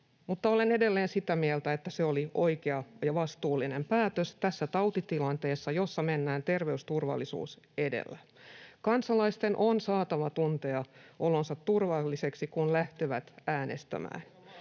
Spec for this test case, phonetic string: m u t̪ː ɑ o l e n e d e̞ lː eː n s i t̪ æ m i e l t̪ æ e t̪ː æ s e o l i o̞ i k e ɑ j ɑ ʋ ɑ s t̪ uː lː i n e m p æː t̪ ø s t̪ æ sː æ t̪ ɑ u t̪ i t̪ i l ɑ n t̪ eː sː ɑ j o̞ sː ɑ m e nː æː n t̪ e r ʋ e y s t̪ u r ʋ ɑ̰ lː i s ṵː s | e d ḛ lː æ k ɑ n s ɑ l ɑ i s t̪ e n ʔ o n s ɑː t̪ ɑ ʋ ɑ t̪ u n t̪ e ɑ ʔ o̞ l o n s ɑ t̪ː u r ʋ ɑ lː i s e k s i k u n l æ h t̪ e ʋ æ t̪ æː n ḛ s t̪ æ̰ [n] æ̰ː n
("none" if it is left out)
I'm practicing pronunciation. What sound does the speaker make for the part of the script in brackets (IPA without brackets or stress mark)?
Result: m